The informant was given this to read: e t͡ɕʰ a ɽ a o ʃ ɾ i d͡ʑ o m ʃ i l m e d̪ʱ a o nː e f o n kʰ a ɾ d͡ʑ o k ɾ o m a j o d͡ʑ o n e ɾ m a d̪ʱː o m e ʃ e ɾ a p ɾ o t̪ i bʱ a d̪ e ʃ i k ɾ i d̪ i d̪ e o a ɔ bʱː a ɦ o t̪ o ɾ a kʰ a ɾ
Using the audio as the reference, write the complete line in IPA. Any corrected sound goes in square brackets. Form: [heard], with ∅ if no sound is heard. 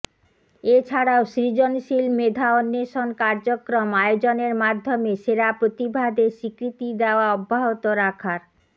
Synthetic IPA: e t͡ɕʰ a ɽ a o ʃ ɾ i d͡ʑ o [n] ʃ i l m e d̪ʱ a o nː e [ʃ] o n [k] a ɾ d͡ʑ o k ɾ o m a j o d͡ʑ o n e ɾ m a d̪ʱː o m e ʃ e ɾ a p ɾ o t̪ i bʱ a d̪ e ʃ i k ɾ i [t̪] i d̪ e o a ɔ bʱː a ɦ o t̪ o ɾ a kʰ a ɾ